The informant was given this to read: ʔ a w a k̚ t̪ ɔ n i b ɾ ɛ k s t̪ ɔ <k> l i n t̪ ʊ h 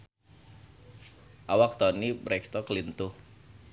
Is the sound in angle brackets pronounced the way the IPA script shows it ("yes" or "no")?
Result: yes